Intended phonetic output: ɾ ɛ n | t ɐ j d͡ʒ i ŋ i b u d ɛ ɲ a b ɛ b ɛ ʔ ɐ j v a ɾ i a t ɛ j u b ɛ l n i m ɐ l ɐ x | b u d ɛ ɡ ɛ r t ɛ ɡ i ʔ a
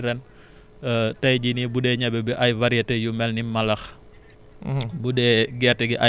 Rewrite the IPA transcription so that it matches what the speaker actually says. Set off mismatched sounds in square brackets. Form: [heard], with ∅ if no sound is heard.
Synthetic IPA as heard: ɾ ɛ n | t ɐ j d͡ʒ i [n] i b u d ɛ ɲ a b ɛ b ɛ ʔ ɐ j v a ɾ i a t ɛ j u [m] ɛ l n i m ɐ l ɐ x | b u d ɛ ɡ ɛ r t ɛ ɡ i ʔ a

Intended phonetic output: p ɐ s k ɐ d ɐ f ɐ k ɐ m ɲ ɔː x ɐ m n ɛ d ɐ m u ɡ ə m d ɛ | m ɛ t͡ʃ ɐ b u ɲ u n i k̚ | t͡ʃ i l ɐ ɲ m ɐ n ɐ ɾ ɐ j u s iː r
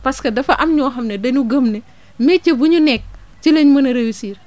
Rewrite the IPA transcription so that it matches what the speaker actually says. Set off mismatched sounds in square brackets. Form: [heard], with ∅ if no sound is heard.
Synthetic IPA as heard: p ɐ s k ɐ d ɐ f ɐ [ʔ] ɐ m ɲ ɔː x ɐ m n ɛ d ɐ [ɲ] u ɡ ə m [n] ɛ | m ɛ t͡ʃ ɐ b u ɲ u n [ɛ] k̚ | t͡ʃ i l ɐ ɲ m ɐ n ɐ ɾ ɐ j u s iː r

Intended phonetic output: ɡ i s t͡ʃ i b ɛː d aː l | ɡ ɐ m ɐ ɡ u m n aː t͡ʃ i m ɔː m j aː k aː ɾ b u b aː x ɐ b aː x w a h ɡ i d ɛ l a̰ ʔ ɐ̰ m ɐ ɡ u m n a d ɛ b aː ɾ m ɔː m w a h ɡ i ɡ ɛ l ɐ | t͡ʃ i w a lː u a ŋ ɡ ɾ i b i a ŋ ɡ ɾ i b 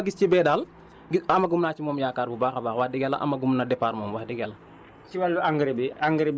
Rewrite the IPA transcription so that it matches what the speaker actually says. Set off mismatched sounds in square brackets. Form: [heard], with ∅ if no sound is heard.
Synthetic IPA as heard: ɡ i s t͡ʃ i b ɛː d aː l | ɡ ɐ m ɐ ɡ u m n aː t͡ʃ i m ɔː m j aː k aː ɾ b u b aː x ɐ b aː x w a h [d] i [ɡ] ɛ l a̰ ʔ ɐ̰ m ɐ ɡ u m n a d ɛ [p] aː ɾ m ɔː m w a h [d] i ɡ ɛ l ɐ | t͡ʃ i w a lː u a ŋ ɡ ɾ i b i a ŋ ɡ ɾ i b

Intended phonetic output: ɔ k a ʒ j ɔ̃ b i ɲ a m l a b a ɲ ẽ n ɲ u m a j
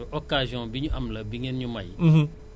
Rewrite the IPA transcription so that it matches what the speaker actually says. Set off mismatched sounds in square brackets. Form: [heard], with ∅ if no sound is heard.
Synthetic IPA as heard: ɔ k a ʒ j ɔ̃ b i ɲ a m l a b [i] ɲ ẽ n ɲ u m a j

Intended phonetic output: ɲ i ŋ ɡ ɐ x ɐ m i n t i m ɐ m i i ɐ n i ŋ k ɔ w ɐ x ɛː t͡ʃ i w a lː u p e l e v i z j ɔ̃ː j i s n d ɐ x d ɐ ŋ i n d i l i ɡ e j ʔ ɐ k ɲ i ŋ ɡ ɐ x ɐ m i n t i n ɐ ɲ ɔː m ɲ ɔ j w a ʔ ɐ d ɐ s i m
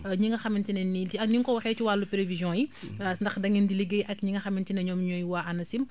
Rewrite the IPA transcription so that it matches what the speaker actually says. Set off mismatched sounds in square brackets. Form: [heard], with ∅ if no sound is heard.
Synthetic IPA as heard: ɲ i ŋ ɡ ɐ x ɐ m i n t i [n] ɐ [n] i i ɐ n i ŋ k ɔ w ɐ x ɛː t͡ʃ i w a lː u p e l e v i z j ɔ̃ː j i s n d ɐ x d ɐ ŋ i n d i l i ɡ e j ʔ ɐ k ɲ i ŋ ɡ ɐ x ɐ m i n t i n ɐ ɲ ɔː m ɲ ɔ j w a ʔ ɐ [n] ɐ s i m

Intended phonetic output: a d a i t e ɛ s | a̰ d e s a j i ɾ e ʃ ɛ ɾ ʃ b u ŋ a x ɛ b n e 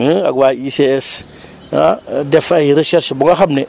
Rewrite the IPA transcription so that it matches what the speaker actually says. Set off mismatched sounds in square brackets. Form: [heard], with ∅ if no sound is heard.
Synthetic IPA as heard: a [ɡ] a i [s] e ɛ s | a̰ d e [f] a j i ɾ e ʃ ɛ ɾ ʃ b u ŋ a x [a] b n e

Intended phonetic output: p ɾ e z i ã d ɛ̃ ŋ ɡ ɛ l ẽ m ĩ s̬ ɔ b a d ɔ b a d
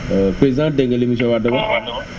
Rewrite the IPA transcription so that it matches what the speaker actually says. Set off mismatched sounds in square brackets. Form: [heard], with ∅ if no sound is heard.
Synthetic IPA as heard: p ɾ e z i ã d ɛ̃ ŋ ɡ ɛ l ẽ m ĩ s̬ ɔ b a d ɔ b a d

